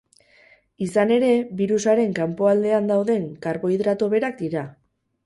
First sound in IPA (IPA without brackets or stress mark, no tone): i